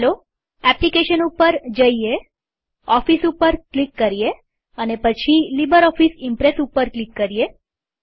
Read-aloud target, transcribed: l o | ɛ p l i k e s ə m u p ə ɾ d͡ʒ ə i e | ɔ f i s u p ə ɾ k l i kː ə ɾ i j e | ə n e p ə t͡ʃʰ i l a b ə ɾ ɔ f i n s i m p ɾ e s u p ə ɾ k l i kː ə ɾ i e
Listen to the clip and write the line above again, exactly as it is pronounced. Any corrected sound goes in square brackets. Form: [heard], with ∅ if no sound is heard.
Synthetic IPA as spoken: l o | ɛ p l i k e [ʃ] ə [n] u p ə ɾ d͡ʒ ə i e | ɔ f i s u p ə ɾ k l i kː ə ɾ i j e | ə n e p ə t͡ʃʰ i l [i] b ə ɾ ɔ f i [∅] s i m p ɾ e s u p ə ɾ k l i kː ə ɾ i e